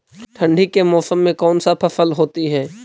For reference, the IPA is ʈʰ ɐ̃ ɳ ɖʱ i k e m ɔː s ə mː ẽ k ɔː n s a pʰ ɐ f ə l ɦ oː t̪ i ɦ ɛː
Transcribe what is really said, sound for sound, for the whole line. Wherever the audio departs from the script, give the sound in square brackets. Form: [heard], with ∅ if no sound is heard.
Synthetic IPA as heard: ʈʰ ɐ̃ ɳ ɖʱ i k e m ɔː s ə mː ẽ k ɔː n s a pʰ ɐ f ə l ɦ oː t̪ i ɦ ɛː